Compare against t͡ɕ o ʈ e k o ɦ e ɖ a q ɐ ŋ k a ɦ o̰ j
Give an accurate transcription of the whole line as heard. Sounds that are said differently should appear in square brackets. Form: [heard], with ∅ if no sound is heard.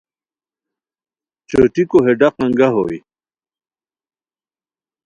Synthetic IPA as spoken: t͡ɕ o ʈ [i] k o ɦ e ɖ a q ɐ ŋ [ɡ] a ɦ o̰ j